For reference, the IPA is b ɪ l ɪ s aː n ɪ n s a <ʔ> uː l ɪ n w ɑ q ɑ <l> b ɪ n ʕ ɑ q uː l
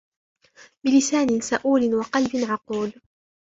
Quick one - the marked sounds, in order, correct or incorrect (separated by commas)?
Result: correct, correct